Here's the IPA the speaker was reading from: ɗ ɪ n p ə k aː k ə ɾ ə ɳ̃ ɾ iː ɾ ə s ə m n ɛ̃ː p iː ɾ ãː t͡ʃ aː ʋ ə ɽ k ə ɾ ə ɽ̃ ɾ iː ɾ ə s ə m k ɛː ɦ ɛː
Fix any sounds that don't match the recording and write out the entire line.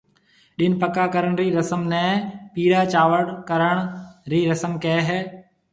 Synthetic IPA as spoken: ɗ ɪ n p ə k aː k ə ɾ ə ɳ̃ ɾ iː ɾ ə s ə m n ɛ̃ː p iː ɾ aː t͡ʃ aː ʋ ə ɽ k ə ɾ ə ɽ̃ ɾ iː ɾ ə s ə m k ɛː ɦ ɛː